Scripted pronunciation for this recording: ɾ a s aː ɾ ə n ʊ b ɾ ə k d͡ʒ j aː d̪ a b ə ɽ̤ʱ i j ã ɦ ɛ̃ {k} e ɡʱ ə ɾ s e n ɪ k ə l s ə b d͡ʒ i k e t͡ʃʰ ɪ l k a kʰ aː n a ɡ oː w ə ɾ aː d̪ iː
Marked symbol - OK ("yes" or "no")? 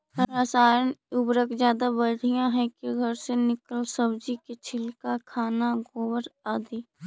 yes